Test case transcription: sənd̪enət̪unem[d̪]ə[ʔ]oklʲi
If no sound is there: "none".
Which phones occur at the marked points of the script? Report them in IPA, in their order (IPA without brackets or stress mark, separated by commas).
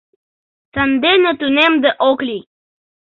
d̪, ʔ